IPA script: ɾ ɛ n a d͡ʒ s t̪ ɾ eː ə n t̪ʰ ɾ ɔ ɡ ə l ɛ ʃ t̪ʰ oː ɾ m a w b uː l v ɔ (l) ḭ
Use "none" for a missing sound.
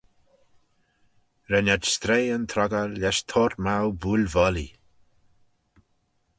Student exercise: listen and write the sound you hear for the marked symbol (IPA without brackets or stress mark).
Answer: l